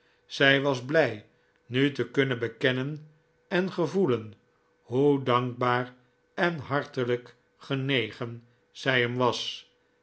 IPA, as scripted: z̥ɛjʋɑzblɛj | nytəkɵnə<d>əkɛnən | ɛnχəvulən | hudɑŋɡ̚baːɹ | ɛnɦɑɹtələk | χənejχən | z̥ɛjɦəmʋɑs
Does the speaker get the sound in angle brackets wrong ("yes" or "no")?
yes